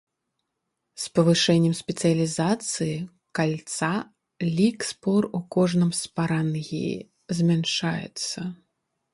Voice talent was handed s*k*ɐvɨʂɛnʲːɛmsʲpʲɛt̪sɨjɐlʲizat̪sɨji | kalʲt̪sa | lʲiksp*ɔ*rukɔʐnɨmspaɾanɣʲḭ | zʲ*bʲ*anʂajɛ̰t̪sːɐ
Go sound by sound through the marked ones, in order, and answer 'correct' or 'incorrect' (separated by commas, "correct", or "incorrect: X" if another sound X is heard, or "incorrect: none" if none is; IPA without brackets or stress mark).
incorrect: p, correct, incorrect: mʲ